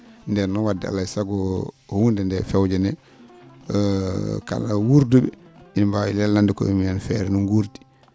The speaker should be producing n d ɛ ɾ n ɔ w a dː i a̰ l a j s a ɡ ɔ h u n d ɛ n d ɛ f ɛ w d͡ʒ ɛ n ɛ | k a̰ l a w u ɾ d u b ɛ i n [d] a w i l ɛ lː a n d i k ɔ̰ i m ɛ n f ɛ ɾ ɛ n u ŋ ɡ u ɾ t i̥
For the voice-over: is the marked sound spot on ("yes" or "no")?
no